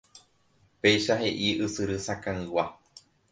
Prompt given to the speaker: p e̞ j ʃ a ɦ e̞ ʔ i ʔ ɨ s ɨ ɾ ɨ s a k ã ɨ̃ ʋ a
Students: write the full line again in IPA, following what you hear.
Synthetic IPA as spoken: p e̞ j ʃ a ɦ e̞ ʔ i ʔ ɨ s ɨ ɾ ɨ s a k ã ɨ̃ w a